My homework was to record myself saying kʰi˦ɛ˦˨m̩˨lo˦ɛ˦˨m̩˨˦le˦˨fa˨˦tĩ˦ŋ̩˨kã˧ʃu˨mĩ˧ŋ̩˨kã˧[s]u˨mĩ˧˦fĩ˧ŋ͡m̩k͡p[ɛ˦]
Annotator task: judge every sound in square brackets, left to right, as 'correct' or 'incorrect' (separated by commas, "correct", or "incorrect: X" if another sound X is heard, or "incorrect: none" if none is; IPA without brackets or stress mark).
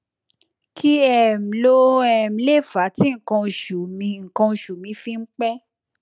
incorrect: ʃ, correct